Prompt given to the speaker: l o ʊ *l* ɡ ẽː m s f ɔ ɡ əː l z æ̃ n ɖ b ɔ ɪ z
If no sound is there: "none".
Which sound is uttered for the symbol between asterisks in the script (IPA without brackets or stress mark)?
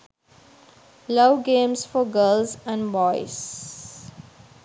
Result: none